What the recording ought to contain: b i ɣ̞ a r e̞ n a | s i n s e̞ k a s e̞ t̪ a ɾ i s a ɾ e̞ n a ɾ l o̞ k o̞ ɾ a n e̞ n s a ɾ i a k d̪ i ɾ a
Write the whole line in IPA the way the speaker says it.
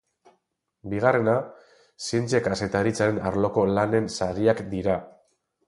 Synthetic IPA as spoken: b i ɣ̞ a r e̞ n a | s i n t͡s e̞ k a s e̞ t̪ a ɾ i t͡s a ɾ e̞ n a ɾ l o̞ k o̞ l a n e̞ n s a ɾ i a k d̪ i ɾ a

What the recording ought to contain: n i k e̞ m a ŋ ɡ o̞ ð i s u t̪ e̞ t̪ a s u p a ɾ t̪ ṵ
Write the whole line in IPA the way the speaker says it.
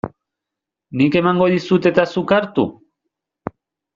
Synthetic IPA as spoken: n i k e̞ m a ŋ ɡ o̞ ð i s u t̪ e̞ t̪ a s u k a ɾ t̪ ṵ

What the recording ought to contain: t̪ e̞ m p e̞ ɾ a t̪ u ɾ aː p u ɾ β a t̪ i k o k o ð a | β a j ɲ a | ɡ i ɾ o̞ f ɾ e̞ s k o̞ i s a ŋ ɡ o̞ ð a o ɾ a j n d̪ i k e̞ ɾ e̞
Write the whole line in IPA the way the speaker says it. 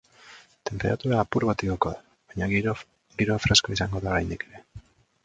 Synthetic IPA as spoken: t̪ e̞ m p e̞ ɾ a t̪ u ɾ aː p u ɾ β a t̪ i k o k o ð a | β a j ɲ a | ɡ i ɾ o̞ f ɾ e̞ s k o̞ i s a ŋ ɡ o̞ ð a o ɾ a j n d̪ i k e̞ ɾ e̞

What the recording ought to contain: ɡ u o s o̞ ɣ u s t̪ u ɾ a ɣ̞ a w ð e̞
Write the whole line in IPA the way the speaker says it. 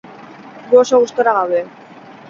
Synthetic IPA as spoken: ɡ u o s o̞ ɣ u s t̪ o ɾ a ɣ̞ a w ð e̞

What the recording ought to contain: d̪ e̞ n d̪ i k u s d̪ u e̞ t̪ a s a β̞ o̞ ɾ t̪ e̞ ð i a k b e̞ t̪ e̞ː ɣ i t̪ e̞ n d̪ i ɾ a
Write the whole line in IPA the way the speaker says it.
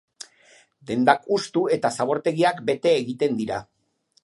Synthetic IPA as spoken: d̪ e̞ n d̪ a k u s t̪ u e̞ t̪ a s a β̞ o̞ ɾ t̪ e̞ ɣ i a k b e̞ t̪ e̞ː ɣ i t̪ e̞ n d̪ i ɾ a

